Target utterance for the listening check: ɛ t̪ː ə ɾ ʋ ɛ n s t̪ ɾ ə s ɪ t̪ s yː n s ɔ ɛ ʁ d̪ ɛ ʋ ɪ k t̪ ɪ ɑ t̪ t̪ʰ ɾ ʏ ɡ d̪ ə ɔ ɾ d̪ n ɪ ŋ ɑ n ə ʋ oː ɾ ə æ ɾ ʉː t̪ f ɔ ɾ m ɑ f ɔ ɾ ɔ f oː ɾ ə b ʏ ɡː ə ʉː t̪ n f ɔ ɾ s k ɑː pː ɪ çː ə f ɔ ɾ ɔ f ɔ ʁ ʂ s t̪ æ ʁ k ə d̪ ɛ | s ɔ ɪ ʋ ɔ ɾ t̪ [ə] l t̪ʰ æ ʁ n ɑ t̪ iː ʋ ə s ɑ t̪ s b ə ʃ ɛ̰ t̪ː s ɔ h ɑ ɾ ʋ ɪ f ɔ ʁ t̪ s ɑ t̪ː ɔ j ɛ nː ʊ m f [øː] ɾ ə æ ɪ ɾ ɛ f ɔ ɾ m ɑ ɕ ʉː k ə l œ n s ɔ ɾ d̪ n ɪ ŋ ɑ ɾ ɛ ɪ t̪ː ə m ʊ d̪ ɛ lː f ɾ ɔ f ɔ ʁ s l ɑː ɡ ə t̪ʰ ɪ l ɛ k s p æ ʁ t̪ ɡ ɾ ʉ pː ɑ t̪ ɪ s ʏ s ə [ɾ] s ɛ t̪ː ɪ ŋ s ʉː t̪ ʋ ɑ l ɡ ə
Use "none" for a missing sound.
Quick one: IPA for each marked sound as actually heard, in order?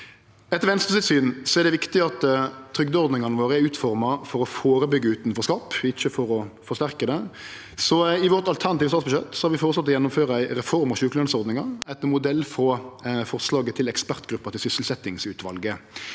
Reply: ɑ, øː, l

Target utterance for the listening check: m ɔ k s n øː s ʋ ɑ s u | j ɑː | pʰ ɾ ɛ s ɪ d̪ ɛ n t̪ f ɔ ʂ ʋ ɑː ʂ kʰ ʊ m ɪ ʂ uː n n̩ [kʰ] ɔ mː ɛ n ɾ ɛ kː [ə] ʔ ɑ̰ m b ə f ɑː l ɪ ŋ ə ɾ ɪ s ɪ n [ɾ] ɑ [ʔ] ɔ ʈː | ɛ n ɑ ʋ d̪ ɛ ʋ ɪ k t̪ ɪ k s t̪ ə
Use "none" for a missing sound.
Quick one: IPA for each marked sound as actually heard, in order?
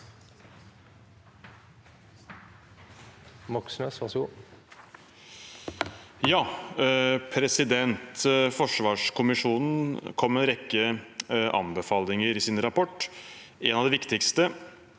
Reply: kʰ, ə, ɾ, p

